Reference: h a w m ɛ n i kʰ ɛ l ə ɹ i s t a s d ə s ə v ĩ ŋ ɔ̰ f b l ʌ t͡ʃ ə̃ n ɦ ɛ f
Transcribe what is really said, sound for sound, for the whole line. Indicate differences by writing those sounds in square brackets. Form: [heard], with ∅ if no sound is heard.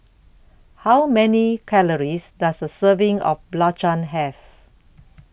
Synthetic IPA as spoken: h a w m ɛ n i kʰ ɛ l ə ɹ i s [d] a s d ə s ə v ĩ ŋ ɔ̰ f b l [a] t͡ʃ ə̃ n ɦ ɛ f